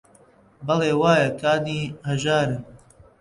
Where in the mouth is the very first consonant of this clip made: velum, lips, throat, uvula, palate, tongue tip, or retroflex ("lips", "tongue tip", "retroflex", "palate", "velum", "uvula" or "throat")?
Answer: lips